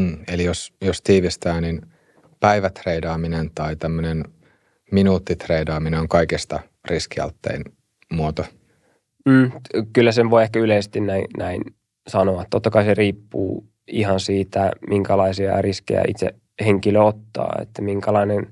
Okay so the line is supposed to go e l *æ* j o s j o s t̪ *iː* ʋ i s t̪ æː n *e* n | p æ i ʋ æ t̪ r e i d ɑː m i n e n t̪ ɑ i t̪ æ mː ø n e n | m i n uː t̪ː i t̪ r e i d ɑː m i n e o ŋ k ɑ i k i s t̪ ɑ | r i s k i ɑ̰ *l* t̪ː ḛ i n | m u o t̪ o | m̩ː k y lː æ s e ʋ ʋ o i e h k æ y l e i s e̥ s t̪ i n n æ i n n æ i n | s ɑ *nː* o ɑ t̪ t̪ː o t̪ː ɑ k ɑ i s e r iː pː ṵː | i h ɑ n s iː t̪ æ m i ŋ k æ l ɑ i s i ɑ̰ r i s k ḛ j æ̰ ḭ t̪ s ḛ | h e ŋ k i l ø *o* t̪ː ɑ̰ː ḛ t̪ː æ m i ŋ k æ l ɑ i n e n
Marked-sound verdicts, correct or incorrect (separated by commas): incorrect, correct, incorrect, correct, incorrect, correct